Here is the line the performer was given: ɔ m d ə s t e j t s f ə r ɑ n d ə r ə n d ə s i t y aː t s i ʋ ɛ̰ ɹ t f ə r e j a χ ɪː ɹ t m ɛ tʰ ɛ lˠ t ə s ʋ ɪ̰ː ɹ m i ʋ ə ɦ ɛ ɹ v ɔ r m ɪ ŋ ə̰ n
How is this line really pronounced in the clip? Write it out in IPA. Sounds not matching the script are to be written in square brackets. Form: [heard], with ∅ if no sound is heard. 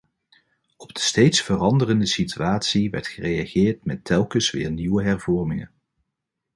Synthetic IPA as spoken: ɔ [b] d ə s t e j t s f ə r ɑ n d ə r ə n d ə s i t y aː t s i ʋ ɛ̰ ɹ t [χ] ə r e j a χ ɪː ɹ t m ɛ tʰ ɛ lˠ [k] ə s ʋ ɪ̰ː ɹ [n] i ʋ ə ɦ ɛ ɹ v ɔ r m ɪ ŋ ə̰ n